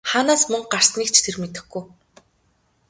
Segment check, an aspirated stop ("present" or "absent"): present